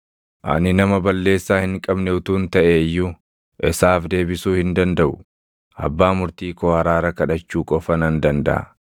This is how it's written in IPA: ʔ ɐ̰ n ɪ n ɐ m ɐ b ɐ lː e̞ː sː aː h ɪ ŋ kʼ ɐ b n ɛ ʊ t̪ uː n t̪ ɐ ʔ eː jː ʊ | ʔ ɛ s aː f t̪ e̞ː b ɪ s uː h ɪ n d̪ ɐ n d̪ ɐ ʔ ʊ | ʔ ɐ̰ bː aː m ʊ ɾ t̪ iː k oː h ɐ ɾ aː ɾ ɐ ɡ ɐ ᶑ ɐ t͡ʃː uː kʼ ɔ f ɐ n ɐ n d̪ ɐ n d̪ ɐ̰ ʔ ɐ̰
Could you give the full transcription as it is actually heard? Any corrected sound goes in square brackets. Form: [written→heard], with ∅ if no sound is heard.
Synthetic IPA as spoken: ʔ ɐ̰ n ɪ n ɐ m ɐ b ɐ lː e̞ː sː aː h ɪ ŋ kʼ ɐ b n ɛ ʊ t̪ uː n t̪ ɐ ʔ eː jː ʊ | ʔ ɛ s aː f [t̪→d̪] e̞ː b ɪ s uː h ɪ n d̪ ɐ n d̪ ɐ ʔ ʊ | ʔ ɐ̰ bː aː m ʊ ɾ t̪ iː k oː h ɐ ɾ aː ɾ ɐ [ɡ→k] ɐ ᶑ ɐ t͡ʃː uː kʼ ɔ f ɐ n ɐ n d̪ ɐ n d̪ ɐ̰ ʔ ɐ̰